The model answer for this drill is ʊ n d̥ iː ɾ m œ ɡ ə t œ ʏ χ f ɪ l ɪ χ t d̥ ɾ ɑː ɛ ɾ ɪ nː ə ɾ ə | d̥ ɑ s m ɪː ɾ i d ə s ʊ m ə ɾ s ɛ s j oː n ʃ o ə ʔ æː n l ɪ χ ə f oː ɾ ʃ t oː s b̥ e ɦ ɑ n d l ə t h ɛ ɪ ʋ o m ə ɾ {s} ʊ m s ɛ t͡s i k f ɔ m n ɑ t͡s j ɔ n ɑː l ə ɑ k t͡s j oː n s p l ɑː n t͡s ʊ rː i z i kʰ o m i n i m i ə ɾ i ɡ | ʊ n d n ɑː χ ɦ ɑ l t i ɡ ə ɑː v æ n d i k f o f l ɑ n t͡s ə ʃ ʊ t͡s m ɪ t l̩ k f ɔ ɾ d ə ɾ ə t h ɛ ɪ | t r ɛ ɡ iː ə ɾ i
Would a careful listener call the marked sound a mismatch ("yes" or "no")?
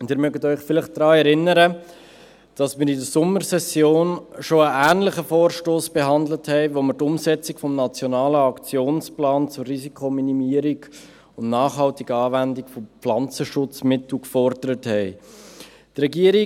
yes